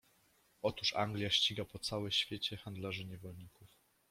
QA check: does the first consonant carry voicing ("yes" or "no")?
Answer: no